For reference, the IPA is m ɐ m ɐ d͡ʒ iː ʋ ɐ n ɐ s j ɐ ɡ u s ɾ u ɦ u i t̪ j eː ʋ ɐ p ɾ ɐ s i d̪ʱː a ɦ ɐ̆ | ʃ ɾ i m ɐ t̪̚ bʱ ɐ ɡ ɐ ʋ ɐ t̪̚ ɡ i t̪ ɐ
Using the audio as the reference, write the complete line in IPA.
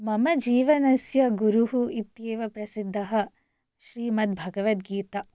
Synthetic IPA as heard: m ɐ m ɐ d͡ʒ iː ʋ ɐ n ɐ s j ɐ ɡ u ɾ u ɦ u i t̪ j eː ʋ ɐ p ɾ ɐ s i d̪ʱː ɐ ɦ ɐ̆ | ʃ ɾ iː m ɐ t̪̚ bʱ ɐ ɡ ɐ ʋ ɐ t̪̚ ɡ iː t̪ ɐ